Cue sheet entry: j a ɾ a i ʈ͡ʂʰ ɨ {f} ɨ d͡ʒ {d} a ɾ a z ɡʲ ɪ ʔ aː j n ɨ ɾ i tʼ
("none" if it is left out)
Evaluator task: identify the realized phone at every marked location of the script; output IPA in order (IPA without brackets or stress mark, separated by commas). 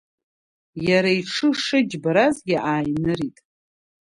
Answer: ʂ, b